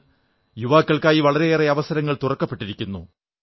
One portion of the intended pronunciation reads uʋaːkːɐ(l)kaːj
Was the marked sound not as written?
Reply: yes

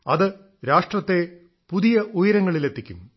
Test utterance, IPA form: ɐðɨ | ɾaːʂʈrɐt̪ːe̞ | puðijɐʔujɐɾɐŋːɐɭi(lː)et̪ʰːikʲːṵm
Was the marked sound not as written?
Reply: yes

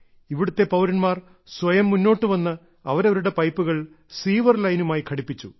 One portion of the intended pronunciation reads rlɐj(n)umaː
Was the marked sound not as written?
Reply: no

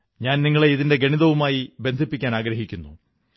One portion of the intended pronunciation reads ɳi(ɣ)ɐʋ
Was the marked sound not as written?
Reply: yes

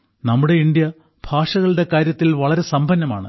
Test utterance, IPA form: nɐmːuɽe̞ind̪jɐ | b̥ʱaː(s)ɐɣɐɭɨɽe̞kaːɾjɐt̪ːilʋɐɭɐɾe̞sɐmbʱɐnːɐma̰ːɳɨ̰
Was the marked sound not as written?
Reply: yes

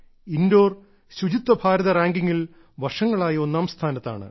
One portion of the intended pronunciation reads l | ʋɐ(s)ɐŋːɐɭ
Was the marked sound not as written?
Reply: yes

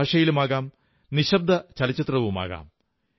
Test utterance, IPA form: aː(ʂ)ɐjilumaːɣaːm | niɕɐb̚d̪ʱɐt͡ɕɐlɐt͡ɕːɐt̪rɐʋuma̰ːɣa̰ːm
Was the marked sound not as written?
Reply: no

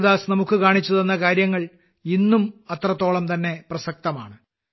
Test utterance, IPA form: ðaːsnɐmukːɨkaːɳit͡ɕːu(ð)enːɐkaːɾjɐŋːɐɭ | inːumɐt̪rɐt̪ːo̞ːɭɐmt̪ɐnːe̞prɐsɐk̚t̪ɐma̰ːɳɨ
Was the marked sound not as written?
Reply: no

